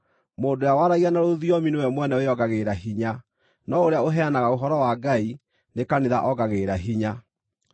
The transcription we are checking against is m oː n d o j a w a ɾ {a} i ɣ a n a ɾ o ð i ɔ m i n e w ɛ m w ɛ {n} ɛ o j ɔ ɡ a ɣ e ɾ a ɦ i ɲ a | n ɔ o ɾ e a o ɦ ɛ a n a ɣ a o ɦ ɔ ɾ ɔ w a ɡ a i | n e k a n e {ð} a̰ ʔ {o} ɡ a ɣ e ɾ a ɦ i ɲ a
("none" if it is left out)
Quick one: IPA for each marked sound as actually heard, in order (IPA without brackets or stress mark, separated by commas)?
a, n, ð, ɔ